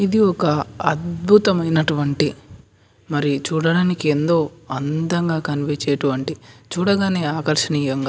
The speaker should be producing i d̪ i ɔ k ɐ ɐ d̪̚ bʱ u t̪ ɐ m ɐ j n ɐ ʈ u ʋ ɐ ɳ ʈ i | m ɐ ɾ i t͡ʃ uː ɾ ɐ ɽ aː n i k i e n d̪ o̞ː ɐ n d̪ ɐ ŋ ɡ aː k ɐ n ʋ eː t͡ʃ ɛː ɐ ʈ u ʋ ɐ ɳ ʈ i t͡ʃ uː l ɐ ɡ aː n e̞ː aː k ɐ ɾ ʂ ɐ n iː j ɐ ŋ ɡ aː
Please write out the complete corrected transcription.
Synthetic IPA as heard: i d̪ i ɔ k ɐ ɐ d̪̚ bʱ u t̪ ɐ m ɐ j n ɐ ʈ u ʋ ɐ ɳ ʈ i | m ɐ ɾ i t͡ʃ uː ɽ ɐ ɽ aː n i k i e n d̪ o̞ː ɐ n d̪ ɐ ŋ ɡ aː k ɐ n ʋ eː t͡ʃ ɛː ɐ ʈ u ʋ ɐ ɳ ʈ i t͡ʃ uː ɽ ɐ ɡ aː n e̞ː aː k ɐ ɾ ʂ ɐ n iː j ɐ ŋ ɡ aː

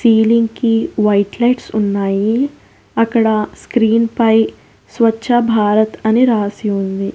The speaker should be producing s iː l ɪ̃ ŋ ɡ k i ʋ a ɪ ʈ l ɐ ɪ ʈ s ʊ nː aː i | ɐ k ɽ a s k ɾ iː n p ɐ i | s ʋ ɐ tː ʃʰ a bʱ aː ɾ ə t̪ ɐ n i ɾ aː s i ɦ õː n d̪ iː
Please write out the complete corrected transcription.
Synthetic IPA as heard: s iː l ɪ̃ ŋ ɡ k i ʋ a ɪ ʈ l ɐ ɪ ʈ s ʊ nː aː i | ɐ k ɽ a s k ɾ iː n p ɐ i | s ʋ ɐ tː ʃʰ a bʱ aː ɾ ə t̪ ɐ n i ɾ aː s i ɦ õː n d̪ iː

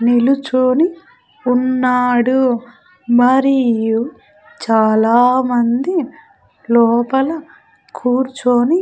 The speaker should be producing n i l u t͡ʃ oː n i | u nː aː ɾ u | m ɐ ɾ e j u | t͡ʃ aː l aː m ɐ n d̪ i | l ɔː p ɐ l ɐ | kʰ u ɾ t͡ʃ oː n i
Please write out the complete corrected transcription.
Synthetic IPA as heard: n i l u t͡ʃ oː n i | u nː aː ɽ u | m ɐ ɾ i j u | t͡ʃ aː l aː m ɐ n d̪ i | l ɔː p ɐ l ɐ | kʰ uː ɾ t͡ʃ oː n i

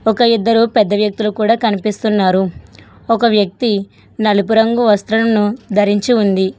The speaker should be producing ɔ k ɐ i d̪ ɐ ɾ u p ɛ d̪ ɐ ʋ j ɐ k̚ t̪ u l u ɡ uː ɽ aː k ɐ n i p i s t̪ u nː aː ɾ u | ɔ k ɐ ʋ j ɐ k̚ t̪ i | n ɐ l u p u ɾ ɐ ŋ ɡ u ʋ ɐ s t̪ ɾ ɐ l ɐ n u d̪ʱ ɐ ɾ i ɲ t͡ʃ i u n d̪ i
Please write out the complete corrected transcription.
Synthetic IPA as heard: ɔ k ɐ i d̪ː ɐ ɾ u p ɛ d̪ː ɐ ʋ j ɐ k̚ t̪ u l u k uː ɽ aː k ɐ n i p i s t̪ u nː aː ɾ u | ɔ k ɐ ʋ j ɐ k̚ t̪ i | n ɐ l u p u ɾ ɐ ŋ ɡ u ʋ ɐ s t̪ ɾ ɐ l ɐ n u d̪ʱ ɐ ɾ i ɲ t͡ʃ i u n d̪ i

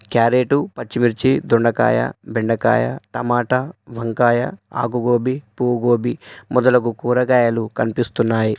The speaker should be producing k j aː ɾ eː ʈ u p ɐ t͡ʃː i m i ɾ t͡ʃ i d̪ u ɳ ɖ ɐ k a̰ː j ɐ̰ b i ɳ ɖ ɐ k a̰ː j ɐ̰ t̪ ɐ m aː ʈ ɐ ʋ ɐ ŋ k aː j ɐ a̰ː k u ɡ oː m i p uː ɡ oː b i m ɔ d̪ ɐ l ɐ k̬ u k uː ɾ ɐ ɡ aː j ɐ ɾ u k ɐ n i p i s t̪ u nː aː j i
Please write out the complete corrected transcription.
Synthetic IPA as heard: k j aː ɾ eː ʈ u p ɐ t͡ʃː i m i ɾ t͡ʃ i d̪ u ɳ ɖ ɐ k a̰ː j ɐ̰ b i ɳ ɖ ɐ k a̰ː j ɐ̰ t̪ ɐ m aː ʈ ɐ ʋ ɐ ŋ k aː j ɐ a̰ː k u ɡ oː b i p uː ɡ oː b i m ɔ d̪ ɐ l ɐ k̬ u k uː ɾ ɐ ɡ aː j ɐ l u k ɐ n i p i s t̪ u nː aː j i

